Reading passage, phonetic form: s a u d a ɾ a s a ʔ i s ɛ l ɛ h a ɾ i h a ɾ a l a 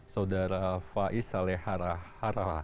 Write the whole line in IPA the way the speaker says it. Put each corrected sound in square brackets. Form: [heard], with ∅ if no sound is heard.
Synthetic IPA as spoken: s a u d a ɾ a [f] a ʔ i s [a] l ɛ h a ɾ [a] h a ɾ a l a